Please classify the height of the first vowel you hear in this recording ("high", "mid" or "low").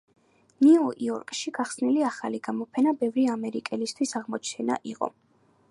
high